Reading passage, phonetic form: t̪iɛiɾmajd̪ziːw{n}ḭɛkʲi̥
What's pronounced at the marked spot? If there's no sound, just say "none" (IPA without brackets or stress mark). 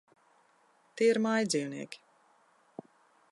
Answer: n